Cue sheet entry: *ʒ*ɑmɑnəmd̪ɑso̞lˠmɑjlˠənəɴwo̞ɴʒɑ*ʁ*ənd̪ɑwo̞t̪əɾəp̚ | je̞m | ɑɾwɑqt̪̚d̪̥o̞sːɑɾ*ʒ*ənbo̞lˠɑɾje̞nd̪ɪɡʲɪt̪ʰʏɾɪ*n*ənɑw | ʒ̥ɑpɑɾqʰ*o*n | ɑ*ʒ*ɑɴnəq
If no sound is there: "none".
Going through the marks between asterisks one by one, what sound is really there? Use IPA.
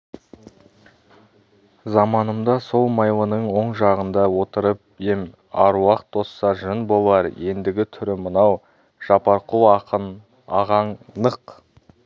z, ʁ, ʒ, m, u, ʁ

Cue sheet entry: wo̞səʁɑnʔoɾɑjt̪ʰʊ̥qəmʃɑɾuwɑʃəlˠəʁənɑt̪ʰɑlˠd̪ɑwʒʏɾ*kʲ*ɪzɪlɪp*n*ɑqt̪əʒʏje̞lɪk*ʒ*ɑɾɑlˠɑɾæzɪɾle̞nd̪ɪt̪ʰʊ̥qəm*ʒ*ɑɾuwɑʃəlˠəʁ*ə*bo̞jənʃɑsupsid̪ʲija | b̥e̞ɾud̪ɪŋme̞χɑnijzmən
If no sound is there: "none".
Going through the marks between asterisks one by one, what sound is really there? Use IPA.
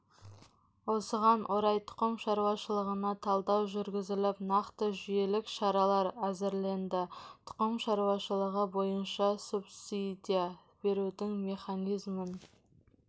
ɡʲ, n, ʃ, ʃ, ə

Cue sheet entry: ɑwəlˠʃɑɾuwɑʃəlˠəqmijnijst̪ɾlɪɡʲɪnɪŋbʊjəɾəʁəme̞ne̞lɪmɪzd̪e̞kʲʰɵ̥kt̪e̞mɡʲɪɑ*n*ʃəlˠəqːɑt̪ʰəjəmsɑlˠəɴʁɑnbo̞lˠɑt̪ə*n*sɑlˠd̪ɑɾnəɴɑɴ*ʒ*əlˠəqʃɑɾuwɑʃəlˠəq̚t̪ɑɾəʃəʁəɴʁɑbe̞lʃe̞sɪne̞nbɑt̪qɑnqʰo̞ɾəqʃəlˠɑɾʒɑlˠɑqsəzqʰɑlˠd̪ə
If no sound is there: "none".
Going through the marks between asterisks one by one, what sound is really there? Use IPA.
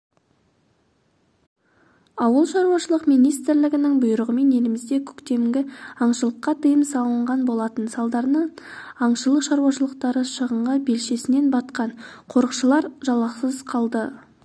ɴ, n, ʃ

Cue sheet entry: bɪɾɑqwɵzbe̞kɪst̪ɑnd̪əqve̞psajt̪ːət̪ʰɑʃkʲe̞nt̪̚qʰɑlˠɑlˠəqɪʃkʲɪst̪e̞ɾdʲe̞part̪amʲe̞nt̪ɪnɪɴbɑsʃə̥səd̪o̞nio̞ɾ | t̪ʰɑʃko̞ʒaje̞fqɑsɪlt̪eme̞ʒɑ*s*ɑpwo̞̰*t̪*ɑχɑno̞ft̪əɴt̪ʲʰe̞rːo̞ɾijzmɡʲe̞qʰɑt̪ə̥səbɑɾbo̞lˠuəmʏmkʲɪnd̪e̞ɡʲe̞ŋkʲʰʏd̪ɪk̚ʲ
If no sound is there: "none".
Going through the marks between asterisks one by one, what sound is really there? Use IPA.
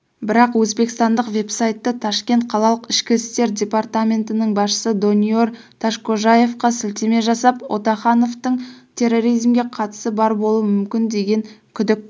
s, t̪

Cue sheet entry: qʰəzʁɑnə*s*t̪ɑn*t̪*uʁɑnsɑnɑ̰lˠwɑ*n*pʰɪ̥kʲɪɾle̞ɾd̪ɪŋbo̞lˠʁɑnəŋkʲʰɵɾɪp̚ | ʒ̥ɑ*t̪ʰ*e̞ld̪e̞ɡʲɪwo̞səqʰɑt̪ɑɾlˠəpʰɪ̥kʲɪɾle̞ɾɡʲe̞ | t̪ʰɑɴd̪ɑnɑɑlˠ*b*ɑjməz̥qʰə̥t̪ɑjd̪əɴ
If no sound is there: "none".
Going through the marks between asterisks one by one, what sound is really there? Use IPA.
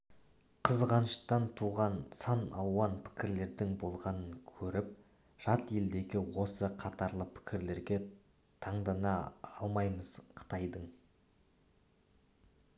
ʃ, t̪ʰ, n, t̪, m

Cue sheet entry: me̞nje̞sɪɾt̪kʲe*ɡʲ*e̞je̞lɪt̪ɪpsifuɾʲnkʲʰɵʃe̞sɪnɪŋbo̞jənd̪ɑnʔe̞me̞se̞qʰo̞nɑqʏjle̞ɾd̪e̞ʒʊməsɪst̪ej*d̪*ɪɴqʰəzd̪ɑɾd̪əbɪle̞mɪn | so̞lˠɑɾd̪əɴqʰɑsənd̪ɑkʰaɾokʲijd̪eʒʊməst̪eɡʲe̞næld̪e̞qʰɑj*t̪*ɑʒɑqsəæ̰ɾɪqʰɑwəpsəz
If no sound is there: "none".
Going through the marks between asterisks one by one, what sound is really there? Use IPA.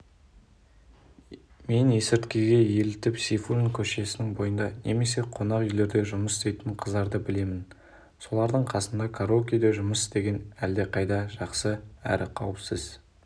ɡʲ, t̪, d̪

